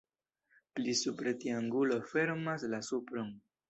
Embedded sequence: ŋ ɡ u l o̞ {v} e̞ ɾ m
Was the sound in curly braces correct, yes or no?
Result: no